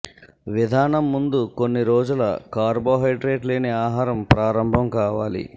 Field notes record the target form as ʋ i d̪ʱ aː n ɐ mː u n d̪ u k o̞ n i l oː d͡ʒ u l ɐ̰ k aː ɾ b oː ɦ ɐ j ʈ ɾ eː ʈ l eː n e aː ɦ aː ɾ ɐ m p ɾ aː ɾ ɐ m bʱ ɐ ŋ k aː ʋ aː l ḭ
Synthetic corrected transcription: ʋ i d̪ʱ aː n ɐ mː u n d̪ u k o̞ nː i ɾ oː d͡ʒ u l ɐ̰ k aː ɾ b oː ɦ ɐ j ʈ ɾ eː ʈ l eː n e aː ɦ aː ɾ ɐ m p ɾ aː ɾ ɐ m bʱ ɐ m k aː ʋ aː l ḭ